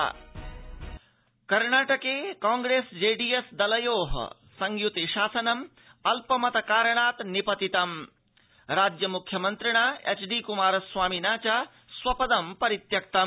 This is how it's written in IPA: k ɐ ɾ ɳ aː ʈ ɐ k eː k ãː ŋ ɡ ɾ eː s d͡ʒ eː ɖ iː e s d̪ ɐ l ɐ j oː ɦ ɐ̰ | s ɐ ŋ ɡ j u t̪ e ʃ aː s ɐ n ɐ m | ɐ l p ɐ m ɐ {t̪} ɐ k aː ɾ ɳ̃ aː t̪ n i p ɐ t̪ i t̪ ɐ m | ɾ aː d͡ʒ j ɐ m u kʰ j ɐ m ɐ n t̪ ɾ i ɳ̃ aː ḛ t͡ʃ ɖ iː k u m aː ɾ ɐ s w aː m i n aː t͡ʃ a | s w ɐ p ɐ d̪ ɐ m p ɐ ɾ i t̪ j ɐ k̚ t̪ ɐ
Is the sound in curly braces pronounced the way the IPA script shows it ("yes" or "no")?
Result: yes